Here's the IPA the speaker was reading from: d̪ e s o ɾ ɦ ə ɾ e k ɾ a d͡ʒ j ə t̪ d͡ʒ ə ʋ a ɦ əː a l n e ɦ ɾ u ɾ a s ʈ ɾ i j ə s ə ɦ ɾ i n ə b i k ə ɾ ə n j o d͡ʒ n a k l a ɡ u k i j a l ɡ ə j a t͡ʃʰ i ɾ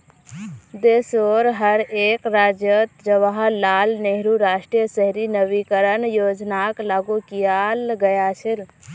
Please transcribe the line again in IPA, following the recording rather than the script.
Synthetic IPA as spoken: d̪ e s o ɾ ɦ ə ɾ e k ɾ a d͡ʒ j ə t̪ d͡ʒ ə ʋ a ɦ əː a l n e ɦ ɾ u ɾ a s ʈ ɾ i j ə s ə ɦ ɾ i n ə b i k ə ɾ ə n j o d͡ʒ n a k l a ɡ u k i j a l ɡ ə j a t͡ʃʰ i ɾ